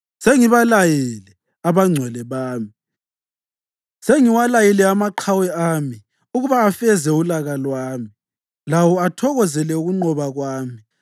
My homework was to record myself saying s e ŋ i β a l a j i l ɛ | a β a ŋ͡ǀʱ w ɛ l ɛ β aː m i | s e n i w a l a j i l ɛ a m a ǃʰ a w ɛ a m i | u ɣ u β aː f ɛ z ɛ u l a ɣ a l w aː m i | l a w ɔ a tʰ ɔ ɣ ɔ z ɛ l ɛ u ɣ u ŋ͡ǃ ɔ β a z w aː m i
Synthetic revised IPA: s e ŋ i β a l a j i l ɛ | a β a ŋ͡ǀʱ w ɛ l ɛ β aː m i | s e ŋ i w a l a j i l ɛ a m a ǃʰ a w ɛ a m i | u ɣ u β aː f ɛ z ɛ u l a ɣ a l w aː m i | l a w ɔ a tʰ ɔ ɣ ɔ z ɛ l ɛ u ɣ u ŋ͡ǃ ɔ β a ɣ w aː m i

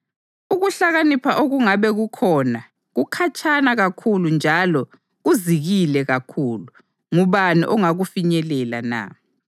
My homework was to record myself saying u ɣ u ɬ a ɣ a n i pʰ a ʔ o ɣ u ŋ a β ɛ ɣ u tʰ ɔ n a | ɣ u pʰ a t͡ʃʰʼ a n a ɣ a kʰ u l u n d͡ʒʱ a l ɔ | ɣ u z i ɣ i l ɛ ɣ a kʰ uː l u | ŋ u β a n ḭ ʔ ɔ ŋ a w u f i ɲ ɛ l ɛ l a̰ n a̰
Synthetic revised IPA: u ɣ u ɬ a ɣ a n i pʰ a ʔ o ɣ u ŋ a β ɛ ɣ u kʰ ɔ n a | ɣ u kʰ a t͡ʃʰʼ a n a ɣ a kʰ u l u n d͡ʒʱ a l ɔ | ɣ u z i ɣ i l ɛ ɣ a kʰ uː l u | ŋ u β a n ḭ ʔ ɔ ŋ a ɣ u f i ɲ ɛ l ɛ l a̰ n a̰

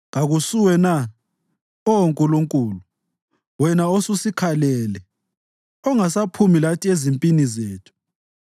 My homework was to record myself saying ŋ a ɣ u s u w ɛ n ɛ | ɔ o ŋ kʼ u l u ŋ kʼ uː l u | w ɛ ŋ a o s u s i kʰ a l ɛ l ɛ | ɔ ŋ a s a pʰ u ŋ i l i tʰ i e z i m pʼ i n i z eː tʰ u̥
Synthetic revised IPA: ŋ a ɣ u s u w ɛ n a | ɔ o ŋ kʼ u l u ŋ kʼ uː l u | w ɛ n a o s u s i kʰ a l ɛ l ɛ | ɔ ŋ a s a pʰ u m i l a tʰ i e z i m pʼ i n i z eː tʰ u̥

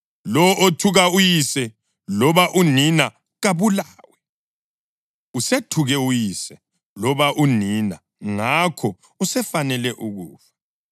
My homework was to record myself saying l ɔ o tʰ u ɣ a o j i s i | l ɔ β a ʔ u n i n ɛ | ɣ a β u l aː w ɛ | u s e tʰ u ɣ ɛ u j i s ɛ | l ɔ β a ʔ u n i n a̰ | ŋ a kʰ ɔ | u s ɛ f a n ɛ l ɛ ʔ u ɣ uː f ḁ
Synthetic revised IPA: l ɔ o tʰ u ɣ a u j i s ɛ | l ɔ β a ʔ u n i n a | ɣ a β u l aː w ɛ | u s e tʰ u ɣ ɛ u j i s ɛ | l ɔ β a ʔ u n i n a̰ | ŋ a kʰ ɔ | u s ɛ f a n ɛ l ɛ ʔ u ɣ uː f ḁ

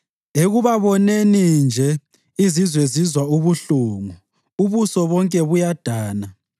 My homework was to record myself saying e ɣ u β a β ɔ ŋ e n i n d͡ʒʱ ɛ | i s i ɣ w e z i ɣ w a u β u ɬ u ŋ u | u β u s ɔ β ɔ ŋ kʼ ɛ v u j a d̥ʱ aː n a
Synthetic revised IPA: e ɣ u β a β ɔ n e n i n d͡ʒʱ ɛ | i z i z w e z i z w a u β u ɬ u ŋ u | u β u s ɔ β ɔ ŋ kʼ ɛ β u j a d̥ʱ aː n a

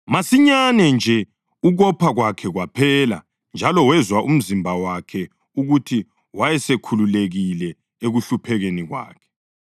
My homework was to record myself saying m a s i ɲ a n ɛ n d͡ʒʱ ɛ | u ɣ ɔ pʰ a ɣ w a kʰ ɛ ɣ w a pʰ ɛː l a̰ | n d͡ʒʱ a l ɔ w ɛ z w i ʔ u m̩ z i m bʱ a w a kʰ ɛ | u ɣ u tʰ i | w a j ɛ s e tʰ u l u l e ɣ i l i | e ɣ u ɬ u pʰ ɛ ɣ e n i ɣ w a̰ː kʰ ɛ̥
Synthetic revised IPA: m a s i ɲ a n ɛ n d͡ʒʱ ɛ | u ɣ ɔ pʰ a ɣ w a kʰ ɛ ɣ w a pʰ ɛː l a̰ | n d͡ʒʱ a l ɔ w ɛ z w a ʔ u m̩ z i m bʱ a w a kʰ ɛ | u ɣ u tʰ i | w a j ɛ s e kʰ u l u l e ɣ i l ɛ | e ɣ u ɬ u pʰ ɛ ɣ e n i ɣ w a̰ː kʰ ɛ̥

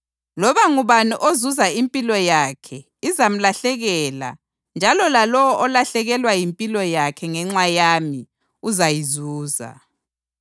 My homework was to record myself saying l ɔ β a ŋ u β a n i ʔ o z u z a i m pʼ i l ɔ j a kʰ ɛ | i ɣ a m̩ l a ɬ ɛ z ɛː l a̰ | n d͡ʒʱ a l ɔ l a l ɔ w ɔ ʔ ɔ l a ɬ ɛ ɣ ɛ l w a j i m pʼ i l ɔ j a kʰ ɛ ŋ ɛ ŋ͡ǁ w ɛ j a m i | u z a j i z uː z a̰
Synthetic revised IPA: l ɔ β a ŋ u β a n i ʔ o z u z a i m pʼ i l ɔ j a kʰ ɛ | i z a m̩ l a ɬ ɛ ɣ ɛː l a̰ | n d͡ʒʱ a l ɔ l a l ɔ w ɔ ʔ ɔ l a ɬ ɛ ɣ ɛ l w a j i m pʼ i l ɔ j a kʰ ɛ ŋ ɛ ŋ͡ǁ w a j a m i | u z a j i z uː z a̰

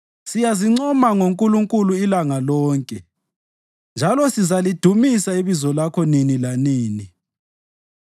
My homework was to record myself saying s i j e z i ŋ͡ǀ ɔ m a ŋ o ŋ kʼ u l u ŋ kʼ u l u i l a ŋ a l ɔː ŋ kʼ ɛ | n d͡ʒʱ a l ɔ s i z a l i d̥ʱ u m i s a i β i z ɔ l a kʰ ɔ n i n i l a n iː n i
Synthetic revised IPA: s i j a z i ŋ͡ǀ ɔ m a ŋ o ŋ kʼ u l u ŋ kʼ u l u i l a ŋ a l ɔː ŋ kʼ ɛ | n d͡ʒʱ a l ɔ s i z a l i d̥ʱ u m i s a i β i z ɔ l a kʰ ɔ n i n i l a n iː n i

